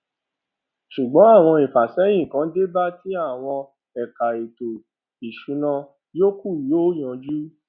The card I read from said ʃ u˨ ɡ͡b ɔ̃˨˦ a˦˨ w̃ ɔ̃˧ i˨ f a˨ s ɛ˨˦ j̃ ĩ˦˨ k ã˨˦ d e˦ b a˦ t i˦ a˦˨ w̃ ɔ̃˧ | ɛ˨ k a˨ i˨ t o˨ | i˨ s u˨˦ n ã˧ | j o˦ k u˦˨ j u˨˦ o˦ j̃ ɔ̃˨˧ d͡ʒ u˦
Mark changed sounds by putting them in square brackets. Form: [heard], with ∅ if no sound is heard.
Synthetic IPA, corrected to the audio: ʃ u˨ ɡ͡b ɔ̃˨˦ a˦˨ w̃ ɔ̃˧ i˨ f a˨ s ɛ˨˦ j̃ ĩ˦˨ k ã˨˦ d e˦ b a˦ t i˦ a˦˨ w̃ ɔ̃˧ | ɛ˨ k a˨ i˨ t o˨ | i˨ [ʃ] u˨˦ n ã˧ | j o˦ k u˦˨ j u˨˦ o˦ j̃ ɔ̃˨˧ d͡ʒ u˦